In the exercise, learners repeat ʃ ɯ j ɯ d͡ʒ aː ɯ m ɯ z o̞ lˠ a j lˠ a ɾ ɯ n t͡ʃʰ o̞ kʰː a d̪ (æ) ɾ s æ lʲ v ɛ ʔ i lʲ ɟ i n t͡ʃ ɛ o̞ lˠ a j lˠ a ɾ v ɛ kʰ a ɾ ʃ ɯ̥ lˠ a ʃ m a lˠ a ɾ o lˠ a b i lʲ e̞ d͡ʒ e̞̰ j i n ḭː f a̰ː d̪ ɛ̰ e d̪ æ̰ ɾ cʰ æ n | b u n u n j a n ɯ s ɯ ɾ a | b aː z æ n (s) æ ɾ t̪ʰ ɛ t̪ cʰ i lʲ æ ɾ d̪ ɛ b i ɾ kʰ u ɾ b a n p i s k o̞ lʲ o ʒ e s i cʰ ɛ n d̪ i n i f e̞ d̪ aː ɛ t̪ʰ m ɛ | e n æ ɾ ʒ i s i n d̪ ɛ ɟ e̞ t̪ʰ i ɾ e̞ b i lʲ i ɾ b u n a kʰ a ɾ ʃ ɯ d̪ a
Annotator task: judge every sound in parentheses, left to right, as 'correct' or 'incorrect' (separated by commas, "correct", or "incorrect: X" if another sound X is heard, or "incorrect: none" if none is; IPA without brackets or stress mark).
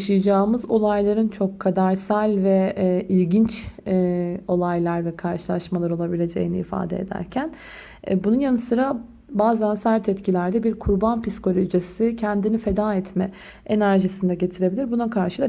incorrect: a, correct